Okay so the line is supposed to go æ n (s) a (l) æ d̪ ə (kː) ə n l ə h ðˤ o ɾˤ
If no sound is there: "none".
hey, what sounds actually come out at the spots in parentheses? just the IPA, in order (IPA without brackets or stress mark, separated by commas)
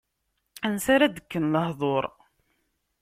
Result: s, ɾ, kː